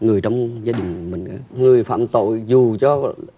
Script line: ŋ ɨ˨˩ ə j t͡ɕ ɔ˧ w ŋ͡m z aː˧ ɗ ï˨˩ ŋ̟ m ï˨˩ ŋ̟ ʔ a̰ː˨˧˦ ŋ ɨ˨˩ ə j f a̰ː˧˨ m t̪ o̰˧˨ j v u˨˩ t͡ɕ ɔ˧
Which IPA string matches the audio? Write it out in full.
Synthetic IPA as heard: ŋ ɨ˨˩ ə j t͡ɕ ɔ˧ w ŋ͡m z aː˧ ɗ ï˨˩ ŋ̟ m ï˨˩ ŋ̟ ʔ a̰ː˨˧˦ ŋ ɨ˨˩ ə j f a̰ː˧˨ m t̪ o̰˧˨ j z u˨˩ t͡ɕ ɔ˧